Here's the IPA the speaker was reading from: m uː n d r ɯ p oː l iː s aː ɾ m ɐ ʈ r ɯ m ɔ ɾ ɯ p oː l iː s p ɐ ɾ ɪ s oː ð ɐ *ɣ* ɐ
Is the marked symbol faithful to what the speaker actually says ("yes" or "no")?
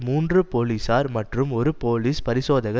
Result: yes